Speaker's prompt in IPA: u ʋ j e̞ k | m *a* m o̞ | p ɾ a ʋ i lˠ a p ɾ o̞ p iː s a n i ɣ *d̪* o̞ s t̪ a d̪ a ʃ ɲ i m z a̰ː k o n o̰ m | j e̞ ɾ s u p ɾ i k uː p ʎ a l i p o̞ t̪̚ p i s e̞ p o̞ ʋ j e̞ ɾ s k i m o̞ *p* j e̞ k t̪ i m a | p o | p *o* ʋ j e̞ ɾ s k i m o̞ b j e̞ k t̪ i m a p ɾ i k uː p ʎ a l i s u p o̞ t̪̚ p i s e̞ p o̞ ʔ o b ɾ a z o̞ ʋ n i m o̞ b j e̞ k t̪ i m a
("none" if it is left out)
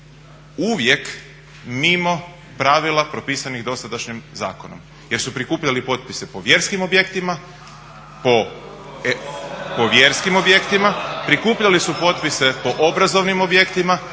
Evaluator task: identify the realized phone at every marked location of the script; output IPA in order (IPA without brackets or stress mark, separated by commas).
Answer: i, d̪, b, o